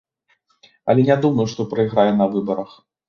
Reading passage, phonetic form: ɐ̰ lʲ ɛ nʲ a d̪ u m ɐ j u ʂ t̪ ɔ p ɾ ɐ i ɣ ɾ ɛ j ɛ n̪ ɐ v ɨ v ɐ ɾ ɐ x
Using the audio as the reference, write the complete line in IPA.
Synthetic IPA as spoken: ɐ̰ lʲ ɛ nʲ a d̪ u m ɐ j u ʂ t̪ ɔ p ɾ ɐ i ɣ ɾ a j ɛ n̪ ɐ v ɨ b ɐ ɾ ɐ x